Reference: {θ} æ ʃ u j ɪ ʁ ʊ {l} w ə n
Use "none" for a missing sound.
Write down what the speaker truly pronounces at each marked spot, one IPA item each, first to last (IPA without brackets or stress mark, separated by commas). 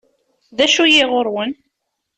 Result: ð, ɾ